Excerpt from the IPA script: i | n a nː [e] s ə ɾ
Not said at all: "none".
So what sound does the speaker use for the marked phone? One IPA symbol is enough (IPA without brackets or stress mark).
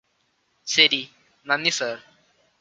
i